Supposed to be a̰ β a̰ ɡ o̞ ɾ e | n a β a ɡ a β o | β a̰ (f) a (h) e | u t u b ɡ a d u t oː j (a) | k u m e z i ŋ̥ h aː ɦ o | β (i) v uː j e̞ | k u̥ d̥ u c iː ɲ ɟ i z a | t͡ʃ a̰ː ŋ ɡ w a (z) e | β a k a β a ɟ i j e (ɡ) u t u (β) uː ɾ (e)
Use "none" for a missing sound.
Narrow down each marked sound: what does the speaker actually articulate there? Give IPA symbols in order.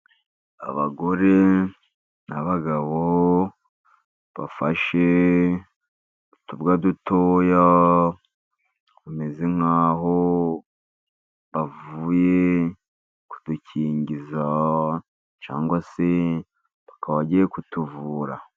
f, ʃ, a, a, s, k, v, a

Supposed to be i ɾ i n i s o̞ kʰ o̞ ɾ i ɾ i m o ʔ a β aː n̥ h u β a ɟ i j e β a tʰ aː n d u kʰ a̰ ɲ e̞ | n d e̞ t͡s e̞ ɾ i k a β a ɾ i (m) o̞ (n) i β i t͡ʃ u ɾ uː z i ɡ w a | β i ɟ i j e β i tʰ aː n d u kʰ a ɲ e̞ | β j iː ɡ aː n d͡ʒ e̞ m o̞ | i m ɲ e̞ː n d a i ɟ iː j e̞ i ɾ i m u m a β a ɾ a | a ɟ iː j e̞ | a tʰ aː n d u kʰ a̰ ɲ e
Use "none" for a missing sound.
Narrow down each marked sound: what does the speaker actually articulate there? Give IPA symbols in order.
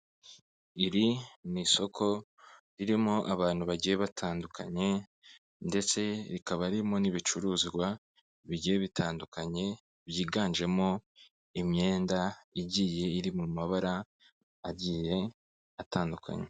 m, n

